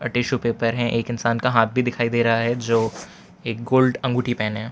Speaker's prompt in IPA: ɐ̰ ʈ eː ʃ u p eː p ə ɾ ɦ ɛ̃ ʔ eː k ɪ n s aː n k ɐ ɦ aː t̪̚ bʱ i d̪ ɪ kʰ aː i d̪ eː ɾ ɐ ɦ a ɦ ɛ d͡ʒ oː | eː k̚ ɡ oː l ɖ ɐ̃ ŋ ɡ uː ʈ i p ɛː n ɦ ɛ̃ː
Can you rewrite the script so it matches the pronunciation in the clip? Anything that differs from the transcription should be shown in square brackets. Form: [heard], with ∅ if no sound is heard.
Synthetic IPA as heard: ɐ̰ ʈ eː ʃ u p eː p ə ɾ ɦ ɛ̃ ʔ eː k ɪ n s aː n k [a] ɦ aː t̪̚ bʱ i d̪ ɪ kʰ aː i d̪ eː ɾ ɐ ɦ a ɦ ɛ d͡ʒ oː | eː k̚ ɡ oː l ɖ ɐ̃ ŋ ɡ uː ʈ i p ɛː n ɦ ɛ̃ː